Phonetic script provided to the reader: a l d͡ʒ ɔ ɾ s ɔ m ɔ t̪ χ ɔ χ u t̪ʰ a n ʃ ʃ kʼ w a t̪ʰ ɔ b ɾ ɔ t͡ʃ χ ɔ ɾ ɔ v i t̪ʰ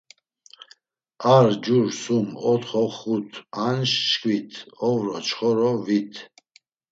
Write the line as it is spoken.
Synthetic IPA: a ɾ d͡ʒ u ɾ s u m ɔ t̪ χ ɔ χ u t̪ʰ a n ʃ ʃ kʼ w i t̪ʰ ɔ v ɾ ɔ t͡ʃ χ ɔ ɾ ɔ v i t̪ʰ